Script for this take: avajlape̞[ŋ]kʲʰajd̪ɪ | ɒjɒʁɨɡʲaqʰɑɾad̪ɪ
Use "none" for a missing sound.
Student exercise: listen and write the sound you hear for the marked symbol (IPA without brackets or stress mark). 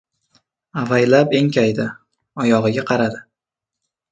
ŋ